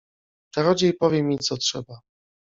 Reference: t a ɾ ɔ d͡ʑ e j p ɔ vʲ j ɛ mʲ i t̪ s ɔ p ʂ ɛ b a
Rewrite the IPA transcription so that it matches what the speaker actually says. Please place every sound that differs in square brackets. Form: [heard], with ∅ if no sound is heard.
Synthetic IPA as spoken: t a ɾ ɔ d͡ʑ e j p ɔ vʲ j ɛ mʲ i t̪ s ɔ [t] ʂ ɛ b a